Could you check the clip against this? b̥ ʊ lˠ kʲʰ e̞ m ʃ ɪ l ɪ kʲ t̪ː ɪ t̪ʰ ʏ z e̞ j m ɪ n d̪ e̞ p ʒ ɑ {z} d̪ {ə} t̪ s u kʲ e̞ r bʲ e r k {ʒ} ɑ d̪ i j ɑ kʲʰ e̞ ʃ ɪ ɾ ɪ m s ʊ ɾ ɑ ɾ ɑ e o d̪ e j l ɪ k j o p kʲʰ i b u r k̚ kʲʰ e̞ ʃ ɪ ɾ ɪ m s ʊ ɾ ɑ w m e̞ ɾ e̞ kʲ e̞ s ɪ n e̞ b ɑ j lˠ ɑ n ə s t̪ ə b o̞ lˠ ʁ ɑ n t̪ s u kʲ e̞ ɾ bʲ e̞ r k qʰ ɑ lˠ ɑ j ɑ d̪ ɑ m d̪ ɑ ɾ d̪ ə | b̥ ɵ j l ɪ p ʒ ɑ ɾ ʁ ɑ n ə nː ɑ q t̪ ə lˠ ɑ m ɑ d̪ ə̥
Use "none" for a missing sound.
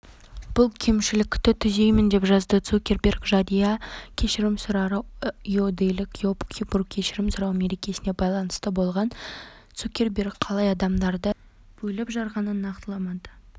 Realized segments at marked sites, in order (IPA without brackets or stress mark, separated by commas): z, ə, ʒ